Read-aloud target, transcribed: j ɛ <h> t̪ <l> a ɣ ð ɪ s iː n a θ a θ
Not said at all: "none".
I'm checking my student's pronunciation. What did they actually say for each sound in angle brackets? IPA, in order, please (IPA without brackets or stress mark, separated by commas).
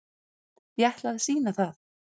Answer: h, l